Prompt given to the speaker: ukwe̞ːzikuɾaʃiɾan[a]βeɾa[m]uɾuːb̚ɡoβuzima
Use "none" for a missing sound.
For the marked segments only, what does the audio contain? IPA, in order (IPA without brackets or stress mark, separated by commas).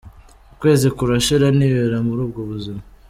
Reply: i, m